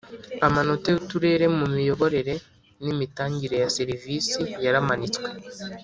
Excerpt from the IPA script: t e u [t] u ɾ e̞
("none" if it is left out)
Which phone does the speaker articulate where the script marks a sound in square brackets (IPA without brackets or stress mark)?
t